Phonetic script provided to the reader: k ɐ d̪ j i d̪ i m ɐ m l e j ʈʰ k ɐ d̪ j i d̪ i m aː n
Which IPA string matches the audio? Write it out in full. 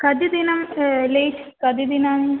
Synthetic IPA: k ɐ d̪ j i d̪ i n ɐ m l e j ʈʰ k ɐ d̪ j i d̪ i n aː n